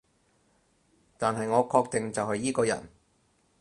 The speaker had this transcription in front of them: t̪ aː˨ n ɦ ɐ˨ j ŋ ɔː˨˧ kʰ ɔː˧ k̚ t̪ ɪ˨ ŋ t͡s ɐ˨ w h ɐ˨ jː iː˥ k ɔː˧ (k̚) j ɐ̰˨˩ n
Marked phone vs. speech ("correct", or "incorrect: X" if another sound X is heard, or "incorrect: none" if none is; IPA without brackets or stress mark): incorrect: none